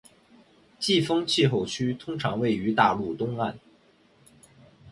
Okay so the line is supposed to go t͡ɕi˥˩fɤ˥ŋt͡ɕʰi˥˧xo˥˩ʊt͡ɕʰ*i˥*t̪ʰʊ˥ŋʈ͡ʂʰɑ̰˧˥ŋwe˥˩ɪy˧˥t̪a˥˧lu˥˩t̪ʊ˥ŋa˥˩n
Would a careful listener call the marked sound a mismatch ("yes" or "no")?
yes